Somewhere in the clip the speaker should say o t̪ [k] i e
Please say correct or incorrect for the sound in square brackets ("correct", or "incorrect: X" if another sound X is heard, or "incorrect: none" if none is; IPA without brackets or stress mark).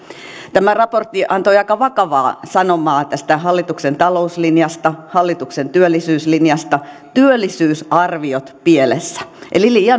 incorrect: p